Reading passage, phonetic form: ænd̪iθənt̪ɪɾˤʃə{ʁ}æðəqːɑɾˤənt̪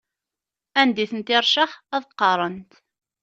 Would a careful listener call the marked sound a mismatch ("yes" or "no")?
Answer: yes